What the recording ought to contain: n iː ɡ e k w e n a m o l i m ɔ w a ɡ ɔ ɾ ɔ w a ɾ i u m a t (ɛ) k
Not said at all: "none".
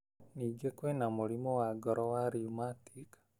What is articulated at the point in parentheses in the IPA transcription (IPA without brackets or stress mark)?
i